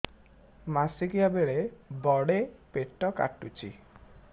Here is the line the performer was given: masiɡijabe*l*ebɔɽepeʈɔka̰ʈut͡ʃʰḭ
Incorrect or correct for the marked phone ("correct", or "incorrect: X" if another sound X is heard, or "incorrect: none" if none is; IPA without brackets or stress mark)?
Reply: incorrect: ɭ